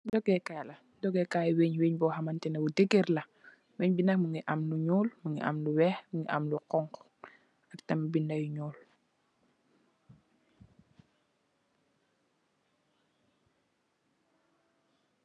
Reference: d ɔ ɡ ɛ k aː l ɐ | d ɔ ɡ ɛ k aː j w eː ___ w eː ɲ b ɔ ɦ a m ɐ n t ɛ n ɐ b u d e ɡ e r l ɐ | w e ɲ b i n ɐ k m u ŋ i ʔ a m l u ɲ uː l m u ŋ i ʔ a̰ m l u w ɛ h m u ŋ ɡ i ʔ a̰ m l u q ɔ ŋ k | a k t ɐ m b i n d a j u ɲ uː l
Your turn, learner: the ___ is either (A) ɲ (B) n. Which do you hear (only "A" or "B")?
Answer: A